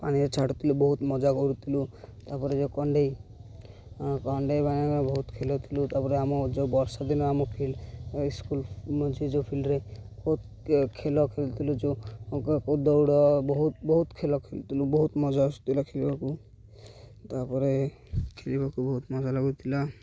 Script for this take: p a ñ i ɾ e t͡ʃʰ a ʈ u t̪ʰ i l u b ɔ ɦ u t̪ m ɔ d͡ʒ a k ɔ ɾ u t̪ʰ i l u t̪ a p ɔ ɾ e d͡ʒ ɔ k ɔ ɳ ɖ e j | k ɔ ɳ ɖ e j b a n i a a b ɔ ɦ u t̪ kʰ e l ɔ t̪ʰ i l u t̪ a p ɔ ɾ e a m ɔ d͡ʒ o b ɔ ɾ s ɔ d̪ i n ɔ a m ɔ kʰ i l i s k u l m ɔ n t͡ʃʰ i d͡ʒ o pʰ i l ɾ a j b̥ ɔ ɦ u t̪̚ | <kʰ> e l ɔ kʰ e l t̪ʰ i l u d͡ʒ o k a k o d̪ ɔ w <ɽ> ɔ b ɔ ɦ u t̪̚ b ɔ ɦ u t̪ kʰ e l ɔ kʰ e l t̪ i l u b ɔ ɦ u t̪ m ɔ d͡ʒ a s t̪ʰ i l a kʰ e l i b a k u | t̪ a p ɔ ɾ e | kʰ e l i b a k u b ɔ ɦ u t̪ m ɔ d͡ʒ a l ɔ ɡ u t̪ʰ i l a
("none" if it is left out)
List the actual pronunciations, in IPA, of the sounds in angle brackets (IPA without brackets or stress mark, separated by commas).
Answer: kʰ, ɽ